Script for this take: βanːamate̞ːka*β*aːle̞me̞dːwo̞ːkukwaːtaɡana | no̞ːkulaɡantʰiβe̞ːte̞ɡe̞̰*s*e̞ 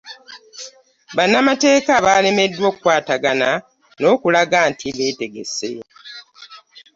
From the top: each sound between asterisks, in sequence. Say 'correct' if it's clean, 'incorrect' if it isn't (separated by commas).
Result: correct, correct